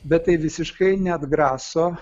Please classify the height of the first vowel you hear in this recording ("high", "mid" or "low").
mid